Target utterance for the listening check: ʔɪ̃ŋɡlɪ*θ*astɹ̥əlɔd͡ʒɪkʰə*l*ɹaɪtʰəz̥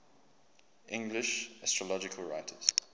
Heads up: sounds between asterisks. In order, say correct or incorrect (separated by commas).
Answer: incorrect, correct